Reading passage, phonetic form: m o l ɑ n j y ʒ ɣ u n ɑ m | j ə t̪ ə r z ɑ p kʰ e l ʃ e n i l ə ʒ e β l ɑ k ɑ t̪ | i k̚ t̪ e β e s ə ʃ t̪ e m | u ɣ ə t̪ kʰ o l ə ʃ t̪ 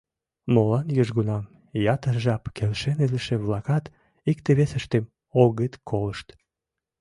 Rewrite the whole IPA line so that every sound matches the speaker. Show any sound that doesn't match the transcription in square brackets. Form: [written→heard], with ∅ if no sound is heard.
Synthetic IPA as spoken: m o l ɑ n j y ʒ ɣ u n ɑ m | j [ə→ɑ] t̪ ə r [z→ʒ] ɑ p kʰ e l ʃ e n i l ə [ʒ→ʃ] e β l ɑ k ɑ t̪ | i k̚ t̪ e β e s ə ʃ t̪ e m | [u→o] ɣ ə t̪ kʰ o l ə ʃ t̪